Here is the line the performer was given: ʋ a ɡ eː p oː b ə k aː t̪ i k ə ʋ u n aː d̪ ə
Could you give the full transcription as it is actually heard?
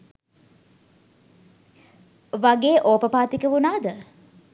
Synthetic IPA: ʋ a ɡ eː ʔ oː p ə p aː t̪ i k ə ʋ u n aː d̪ ə

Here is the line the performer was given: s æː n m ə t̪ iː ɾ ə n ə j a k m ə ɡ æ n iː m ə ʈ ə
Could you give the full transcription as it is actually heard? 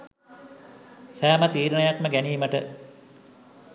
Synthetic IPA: s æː m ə t̪ iː ɾ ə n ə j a k m ə ɡ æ n iː m ə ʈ ə

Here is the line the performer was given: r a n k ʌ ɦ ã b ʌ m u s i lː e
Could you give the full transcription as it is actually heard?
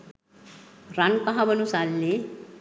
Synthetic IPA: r a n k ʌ ɦ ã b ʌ n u s a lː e

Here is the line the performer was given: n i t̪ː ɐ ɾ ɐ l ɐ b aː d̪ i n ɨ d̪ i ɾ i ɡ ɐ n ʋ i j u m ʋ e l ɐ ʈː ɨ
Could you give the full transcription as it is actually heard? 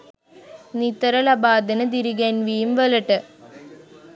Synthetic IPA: n i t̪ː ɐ ɾ ɐ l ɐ b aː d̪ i n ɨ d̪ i ɾ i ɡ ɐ n ʋ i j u m ʋ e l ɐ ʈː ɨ

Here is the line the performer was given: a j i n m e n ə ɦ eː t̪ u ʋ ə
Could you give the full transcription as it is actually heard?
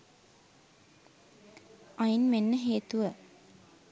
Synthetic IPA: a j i n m e nː ə ɦ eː t̪ u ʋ ə

